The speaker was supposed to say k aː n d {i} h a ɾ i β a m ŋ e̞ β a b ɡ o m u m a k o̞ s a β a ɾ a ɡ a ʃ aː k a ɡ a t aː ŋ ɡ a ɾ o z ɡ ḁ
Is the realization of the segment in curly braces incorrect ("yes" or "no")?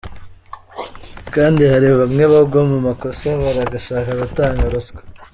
no